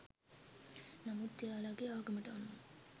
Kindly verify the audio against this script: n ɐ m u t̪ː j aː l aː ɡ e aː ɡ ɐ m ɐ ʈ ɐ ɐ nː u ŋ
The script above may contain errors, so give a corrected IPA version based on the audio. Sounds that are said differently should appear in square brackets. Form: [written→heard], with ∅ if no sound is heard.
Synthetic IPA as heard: n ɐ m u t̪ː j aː l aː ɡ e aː ɡ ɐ m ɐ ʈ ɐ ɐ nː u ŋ